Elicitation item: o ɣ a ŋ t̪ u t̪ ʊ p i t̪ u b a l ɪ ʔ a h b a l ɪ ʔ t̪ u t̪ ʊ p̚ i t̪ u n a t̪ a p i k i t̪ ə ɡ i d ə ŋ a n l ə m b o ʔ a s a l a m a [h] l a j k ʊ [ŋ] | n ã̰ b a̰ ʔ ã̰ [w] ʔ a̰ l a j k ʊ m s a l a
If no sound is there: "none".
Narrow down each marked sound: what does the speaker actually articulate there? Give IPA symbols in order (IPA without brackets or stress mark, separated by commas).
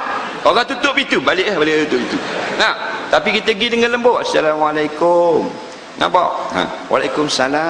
none, m, w